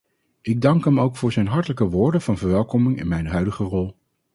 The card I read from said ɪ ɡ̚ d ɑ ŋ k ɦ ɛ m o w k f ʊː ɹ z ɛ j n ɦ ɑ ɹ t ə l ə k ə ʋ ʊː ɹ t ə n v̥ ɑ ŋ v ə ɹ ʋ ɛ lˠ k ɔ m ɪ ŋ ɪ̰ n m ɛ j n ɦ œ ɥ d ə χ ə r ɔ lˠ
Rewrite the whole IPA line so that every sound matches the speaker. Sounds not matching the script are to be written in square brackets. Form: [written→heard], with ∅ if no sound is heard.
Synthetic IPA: ɪ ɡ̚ d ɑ ŋ k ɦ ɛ m o w k f ʊː ɹ z ɛ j n ɦ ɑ ɹ t ə l ə k ə ʋ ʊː ɹ [t→d] ə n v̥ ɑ [ŋ→n] v ə ɹ ʋ ɛ lˠ k ɔ m ɪ ŋ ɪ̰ n m ɛ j n ɦ œ ɥ d ə χ ə r ɔ lˠ